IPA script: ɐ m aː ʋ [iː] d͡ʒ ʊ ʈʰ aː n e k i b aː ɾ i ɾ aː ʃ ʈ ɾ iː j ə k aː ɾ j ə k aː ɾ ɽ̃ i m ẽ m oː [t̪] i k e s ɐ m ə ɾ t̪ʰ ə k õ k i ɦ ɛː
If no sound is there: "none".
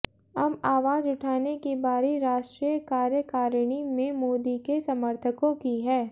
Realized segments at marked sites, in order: aː, d̪

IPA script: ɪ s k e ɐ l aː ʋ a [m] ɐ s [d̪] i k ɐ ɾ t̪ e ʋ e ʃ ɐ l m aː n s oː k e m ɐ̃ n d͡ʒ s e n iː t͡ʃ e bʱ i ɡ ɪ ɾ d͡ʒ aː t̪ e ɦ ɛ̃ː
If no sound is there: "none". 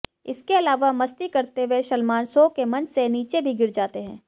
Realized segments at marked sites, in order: m, t̪

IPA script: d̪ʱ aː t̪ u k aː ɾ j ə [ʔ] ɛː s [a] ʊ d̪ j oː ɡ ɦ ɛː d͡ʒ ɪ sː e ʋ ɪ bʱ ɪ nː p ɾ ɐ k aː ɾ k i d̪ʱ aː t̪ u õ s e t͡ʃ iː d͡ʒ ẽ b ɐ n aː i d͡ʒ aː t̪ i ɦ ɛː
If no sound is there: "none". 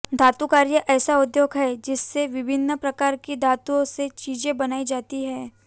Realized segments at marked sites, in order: ʔ, a

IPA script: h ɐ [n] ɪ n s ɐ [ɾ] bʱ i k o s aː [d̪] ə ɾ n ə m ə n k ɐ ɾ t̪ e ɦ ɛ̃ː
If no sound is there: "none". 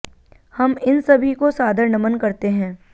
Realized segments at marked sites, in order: m, none, d̪

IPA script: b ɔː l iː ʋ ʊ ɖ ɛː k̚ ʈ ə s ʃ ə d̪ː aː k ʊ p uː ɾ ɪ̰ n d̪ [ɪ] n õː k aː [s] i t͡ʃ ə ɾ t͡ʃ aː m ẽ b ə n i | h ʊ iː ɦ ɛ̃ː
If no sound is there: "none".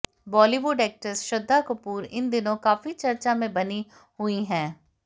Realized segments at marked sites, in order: ɪ, f

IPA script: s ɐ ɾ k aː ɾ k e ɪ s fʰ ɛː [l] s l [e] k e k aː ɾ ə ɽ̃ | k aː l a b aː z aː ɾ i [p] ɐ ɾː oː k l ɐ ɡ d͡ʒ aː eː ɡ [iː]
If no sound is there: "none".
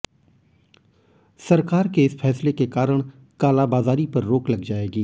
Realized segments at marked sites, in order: none, e, p, iː

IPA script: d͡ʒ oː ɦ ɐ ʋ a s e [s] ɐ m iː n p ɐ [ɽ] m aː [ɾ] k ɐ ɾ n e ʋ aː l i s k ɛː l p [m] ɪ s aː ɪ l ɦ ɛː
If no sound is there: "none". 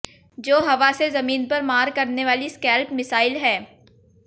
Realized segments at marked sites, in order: z, ɾ, ɾ, m

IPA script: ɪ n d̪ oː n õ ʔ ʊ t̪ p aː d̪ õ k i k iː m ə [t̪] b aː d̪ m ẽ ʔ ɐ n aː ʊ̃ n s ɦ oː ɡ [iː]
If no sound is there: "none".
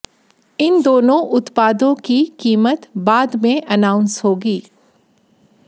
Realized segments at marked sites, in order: t̪, iː

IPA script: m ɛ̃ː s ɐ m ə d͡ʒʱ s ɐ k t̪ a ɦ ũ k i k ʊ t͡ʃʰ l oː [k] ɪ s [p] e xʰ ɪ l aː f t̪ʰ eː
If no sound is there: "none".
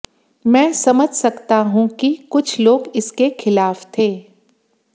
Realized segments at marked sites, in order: ɡ, k

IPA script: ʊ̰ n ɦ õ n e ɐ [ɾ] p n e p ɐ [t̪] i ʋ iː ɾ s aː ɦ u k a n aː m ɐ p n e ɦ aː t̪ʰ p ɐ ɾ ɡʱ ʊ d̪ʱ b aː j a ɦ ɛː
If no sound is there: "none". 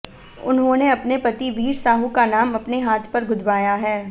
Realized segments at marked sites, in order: none, t̪

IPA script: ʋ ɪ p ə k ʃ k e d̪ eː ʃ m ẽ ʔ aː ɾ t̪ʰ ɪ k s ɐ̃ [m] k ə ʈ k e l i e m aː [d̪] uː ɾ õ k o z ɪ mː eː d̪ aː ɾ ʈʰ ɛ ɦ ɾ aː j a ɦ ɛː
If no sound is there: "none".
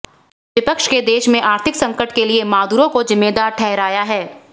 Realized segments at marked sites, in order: ŋ, d̪

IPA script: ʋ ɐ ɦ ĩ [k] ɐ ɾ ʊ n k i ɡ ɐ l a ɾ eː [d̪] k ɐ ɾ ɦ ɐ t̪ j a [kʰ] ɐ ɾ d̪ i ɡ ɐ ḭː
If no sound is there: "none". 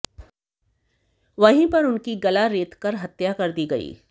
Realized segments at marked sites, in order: p, t̪, k

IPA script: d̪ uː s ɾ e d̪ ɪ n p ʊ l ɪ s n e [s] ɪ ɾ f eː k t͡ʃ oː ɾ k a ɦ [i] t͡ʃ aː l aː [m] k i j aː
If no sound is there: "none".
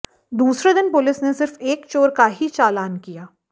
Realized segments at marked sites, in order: s, i, n

